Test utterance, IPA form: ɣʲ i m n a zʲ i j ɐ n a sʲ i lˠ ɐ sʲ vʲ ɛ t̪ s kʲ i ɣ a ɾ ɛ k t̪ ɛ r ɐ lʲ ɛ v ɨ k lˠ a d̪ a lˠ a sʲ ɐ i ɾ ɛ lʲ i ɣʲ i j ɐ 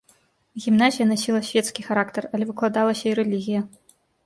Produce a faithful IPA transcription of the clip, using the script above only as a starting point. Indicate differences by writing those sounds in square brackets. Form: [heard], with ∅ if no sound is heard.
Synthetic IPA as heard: ɣʲ i m n a zʲ i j ɐ n a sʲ i lˠ ɐ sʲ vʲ ɛ t̪ s kʲ i [x] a ɾ [a] k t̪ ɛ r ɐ lʲ ɛ v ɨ k lˠ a d̪ a lˠ [ɐ] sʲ ɐ i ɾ ɛ lʲ i ɣʲ i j ɐ